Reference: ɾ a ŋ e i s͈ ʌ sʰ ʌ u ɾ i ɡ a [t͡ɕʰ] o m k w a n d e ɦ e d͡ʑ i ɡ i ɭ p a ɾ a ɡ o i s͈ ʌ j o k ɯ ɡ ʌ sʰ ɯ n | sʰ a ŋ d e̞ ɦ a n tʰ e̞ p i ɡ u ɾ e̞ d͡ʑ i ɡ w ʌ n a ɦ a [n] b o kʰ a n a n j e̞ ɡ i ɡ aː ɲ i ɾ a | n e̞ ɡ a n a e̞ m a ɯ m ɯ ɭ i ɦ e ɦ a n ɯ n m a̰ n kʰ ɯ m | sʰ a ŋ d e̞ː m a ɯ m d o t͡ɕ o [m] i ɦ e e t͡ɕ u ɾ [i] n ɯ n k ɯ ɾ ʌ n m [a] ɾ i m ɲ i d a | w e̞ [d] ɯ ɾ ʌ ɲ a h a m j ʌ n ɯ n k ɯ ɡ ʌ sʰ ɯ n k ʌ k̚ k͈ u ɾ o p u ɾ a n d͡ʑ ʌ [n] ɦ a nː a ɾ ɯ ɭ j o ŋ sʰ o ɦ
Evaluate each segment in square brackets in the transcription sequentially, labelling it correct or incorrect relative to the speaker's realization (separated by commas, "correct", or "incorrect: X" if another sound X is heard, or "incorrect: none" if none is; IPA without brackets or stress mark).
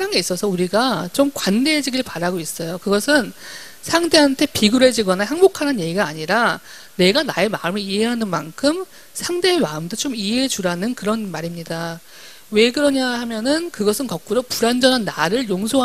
incorrect: t͡ɕ, incorrect: ŋ, correct, incorrect: a, correct, incorrect: ɡ, correct